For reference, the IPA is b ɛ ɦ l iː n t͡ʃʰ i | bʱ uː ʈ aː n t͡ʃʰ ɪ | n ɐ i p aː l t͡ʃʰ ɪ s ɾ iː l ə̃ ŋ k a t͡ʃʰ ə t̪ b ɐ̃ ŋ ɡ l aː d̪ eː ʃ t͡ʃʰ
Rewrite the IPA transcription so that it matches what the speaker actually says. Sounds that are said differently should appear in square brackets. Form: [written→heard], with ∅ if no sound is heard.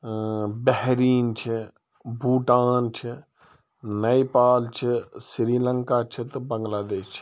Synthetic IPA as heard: b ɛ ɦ [l→ɾ] iː n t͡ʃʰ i | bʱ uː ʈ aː n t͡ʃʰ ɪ | n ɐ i p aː l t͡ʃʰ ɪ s ɾ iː l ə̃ ŋ k a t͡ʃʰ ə t̪ b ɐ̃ ŋ ɡ l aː d̪ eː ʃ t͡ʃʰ